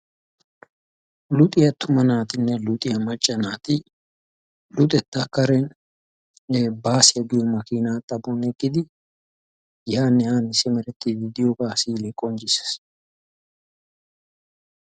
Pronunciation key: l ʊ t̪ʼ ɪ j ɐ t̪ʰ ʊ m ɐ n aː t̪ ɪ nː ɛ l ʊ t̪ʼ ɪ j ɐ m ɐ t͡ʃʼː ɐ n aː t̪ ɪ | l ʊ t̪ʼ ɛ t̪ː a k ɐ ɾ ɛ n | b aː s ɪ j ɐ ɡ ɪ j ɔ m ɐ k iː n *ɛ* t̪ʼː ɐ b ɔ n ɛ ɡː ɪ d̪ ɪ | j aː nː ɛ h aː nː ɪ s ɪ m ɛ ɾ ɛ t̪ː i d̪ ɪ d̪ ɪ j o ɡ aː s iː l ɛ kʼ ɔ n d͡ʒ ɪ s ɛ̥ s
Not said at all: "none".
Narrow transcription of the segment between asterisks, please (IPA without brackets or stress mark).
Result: a